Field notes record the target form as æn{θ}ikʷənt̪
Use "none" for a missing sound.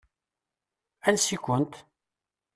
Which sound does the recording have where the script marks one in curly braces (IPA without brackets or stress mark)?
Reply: s